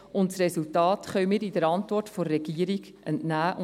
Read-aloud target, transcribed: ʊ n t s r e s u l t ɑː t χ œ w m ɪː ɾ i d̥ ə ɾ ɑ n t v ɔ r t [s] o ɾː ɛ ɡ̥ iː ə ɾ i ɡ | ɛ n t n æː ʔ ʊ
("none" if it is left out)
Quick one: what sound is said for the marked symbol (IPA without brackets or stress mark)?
f